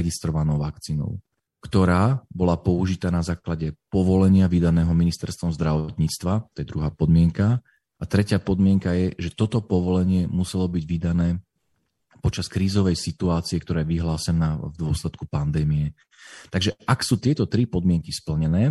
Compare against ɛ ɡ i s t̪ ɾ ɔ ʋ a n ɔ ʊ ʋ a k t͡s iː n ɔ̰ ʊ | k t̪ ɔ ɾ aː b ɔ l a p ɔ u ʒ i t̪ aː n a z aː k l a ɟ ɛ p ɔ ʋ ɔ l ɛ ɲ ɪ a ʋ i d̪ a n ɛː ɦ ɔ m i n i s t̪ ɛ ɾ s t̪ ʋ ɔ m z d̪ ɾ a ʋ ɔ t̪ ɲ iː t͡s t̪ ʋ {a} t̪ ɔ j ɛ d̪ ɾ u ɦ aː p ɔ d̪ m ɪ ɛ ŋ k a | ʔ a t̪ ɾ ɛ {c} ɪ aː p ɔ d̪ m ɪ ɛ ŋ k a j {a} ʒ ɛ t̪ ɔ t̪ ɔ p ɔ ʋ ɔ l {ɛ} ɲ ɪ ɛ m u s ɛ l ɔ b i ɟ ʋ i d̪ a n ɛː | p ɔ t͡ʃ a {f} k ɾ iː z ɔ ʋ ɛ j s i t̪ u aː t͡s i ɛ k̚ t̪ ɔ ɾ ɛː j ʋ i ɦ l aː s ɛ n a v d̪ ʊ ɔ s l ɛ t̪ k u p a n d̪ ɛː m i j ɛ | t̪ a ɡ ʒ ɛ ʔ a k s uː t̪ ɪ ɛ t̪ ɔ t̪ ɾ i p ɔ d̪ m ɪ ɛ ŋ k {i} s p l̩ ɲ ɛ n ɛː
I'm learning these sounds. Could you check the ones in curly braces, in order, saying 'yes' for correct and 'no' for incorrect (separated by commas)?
yes, yes, no, yes, no, yes